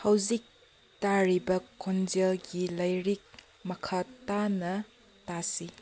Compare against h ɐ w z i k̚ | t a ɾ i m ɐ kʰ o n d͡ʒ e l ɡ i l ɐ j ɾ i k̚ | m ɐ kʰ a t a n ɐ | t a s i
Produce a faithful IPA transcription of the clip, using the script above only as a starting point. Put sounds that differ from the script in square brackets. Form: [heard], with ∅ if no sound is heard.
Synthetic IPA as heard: h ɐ w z i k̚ | t a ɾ i [b] ɐ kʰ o n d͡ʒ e l ɡ i l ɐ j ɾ i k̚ | m ɐ kʰ a t a n ɐ | t a s i